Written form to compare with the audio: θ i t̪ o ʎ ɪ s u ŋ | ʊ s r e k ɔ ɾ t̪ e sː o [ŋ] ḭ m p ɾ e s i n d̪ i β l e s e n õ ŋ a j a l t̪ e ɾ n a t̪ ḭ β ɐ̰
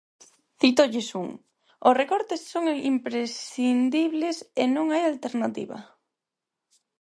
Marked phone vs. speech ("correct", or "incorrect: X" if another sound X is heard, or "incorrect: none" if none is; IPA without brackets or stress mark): correct